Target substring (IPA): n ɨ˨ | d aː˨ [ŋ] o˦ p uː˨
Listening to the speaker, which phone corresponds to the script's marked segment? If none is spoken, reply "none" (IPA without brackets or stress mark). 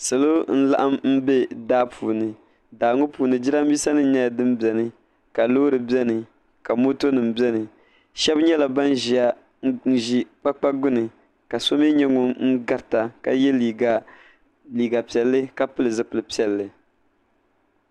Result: ŋ